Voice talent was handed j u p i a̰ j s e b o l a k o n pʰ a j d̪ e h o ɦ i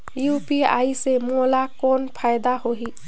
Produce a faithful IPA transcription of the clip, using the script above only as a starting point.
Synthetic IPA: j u p i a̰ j s e m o l a k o n pʰ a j d̪ a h o ɦ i